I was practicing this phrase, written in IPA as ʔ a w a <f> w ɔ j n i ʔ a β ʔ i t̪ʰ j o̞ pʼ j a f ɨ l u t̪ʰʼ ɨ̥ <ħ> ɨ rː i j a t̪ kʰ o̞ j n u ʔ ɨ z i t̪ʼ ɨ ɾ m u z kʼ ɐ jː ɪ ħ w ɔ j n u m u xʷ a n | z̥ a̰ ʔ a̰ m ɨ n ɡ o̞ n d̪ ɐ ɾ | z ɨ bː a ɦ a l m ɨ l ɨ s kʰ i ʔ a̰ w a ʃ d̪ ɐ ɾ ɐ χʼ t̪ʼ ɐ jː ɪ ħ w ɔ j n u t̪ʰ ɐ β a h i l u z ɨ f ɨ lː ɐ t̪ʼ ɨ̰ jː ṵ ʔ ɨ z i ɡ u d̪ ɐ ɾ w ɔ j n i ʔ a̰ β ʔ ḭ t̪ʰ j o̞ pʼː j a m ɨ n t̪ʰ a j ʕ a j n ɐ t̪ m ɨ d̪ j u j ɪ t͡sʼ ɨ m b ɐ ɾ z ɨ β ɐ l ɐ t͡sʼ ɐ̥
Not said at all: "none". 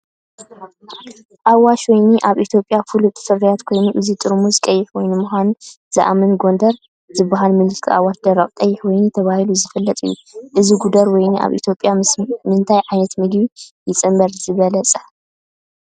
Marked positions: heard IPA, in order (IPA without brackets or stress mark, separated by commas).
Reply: ʃ, f